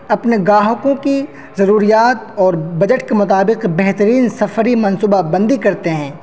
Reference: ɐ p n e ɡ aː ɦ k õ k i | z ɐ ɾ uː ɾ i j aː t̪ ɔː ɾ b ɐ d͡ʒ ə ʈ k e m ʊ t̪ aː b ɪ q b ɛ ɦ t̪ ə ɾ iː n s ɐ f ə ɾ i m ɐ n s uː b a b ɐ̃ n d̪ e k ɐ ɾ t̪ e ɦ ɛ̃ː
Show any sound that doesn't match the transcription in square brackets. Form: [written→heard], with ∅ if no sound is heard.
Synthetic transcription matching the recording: ɐ p n e ɡ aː ɦ k õ k i | z ɐ ɾ uː ɾ i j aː t̪ ɔː ɾ b ɐ d͡ʒ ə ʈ k e m ʊ t̪ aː b ɪ q b ɛ ɦ t̪ ə ɾ iː n s ɐ f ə ɾ i m ɐ n s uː b a b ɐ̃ n d̪ [e→i] k ɐ ɾ t̪ e ɦ ɛ̃ː

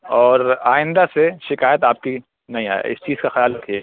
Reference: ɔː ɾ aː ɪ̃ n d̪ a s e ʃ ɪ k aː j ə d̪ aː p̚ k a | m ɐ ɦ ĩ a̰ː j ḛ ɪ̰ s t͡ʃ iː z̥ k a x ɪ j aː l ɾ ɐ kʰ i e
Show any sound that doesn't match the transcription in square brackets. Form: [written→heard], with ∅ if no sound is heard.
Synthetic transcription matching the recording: ɔː ɾ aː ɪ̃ n d̪ a s e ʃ ɪ k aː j ə [d̪→t̪] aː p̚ k [a→i] | [m→n] ɐ ɦ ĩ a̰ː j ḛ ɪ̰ s t͡ʃ iː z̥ k a x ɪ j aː l ɾ ɐ kʰ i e

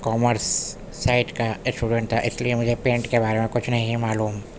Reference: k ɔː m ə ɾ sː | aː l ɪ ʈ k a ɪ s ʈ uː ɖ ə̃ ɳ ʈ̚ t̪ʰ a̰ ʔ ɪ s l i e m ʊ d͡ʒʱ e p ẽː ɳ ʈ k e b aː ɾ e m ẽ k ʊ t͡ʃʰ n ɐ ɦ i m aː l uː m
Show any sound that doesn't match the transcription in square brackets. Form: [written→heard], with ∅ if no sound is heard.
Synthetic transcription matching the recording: k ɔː m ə ɾ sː | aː [l→∅] ɪ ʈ k a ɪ s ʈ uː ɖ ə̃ ɳ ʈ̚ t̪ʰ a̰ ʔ ɪ s l i e m ʊ d͡ʒʱ e p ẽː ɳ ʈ k e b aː ɾ e m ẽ k ʊ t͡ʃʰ n ɐ ɦ [i→ĩ] m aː l uː m

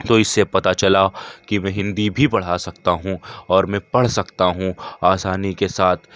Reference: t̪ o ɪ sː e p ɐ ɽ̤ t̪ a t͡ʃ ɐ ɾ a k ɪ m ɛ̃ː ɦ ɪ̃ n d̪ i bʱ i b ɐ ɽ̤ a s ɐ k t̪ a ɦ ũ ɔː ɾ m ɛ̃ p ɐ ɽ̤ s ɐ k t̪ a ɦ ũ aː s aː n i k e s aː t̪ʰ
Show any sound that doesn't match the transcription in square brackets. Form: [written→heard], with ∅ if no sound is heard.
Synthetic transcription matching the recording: t̪ o ɪ sː e p ɐ [ɽ̤→∅] t̪ a t͡ʃ ɐ [ɾ→l] a k [ɪ→i] m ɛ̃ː ɦ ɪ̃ n d̪ i bʱ i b ɐ ɽ̤ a s ɐ k t̪ a ɦ ũ ɔː ɾ m ɛ̃ p ɐ ɽ̤ s ɐ k t̪ a ɦ ũ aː s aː n i k e s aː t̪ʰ

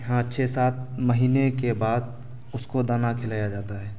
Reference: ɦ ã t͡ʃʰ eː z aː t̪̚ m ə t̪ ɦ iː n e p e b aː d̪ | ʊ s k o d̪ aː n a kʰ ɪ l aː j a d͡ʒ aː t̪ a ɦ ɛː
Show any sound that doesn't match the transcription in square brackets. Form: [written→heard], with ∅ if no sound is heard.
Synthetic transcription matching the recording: ɦ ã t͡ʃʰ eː [z→s] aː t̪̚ m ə [t̪→∅] ɦ iː n e [p→k] e b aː d̪ | ʊ s k o d̪ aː n a kʰ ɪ l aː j a d͡ʒ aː t̪ a ɦ ɛː

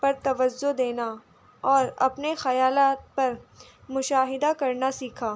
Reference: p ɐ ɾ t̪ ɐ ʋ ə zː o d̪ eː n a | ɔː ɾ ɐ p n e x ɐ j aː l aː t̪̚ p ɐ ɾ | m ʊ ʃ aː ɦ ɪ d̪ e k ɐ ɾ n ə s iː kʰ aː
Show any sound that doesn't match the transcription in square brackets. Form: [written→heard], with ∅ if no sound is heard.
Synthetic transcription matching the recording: p ɐ ɾ t̪ ɐ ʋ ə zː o d̪ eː n a | ɔː ɾ ɐ p n e x ɐ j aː l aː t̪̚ p ɐ ɾ | m ʊ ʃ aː ɦ ɪ d̪ [e→a] k ɐ ɾ n [ə→a] s iː kʰ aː

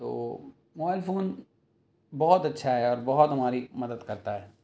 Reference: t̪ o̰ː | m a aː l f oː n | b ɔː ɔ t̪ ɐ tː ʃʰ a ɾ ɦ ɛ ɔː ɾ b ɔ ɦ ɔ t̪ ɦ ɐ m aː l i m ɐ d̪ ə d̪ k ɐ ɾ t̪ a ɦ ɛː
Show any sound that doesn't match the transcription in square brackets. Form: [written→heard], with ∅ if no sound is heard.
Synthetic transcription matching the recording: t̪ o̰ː | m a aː l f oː n | b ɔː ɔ t̪ ɐ tː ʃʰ a [ɾ→∅] ɦ ɛ ɔː ɾ b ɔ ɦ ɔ t̪ ɦ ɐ m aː [l→ɾ] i m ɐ d̪ ə d̪ k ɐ ɾ t̪ a ɦ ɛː

